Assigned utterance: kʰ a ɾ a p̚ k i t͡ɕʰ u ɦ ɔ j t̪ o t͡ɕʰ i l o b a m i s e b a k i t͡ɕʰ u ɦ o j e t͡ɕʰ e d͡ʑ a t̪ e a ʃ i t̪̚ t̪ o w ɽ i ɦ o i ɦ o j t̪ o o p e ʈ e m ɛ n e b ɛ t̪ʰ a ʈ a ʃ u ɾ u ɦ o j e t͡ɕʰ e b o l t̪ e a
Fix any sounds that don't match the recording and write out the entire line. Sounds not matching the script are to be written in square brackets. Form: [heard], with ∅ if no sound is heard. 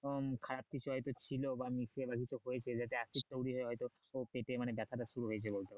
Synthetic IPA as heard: kʰ a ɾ a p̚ k i t͡ɕʰ u ɦ ɔ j t̪ o t͡ɕʰ i l o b a m i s e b a k i t͡ɕʰ u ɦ o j e t͡ɕʰ e d͡ʑ a t̪ e a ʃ i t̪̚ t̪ o w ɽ i ɦ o [e] ɦ [ɔ] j t̪ o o p e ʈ e m [a] n e b ɛ t̪ʰ a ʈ a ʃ u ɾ u ɦ o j e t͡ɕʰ e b o l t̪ e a